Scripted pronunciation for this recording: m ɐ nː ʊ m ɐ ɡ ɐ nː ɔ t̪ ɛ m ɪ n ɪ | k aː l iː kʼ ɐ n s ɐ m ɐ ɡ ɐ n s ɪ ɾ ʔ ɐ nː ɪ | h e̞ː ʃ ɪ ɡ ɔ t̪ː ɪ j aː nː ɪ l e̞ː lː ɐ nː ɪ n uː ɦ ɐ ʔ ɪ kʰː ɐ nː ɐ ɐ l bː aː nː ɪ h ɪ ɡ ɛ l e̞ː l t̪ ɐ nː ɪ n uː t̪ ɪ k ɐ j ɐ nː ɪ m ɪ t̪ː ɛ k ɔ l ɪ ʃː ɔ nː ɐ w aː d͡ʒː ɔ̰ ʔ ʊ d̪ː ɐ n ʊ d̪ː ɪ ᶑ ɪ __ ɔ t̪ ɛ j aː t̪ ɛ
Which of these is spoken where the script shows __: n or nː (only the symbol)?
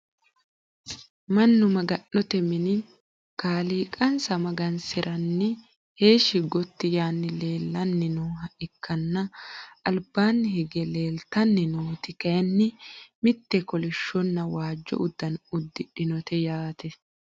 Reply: n